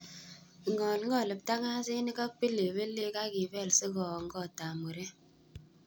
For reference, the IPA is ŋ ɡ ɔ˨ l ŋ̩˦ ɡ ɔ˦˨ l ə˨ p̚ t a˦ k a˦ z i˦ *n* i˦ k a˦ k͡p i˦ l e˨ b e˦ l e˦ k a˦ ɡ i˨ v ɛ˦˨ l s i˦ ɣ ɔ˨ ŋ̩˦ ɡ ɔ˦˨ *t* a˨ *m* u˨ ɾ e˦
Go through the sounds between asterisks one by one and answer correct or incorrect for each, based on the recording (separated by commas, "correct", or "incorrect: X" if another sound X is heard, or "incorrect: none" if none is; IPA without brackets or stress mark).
correct, correct, correct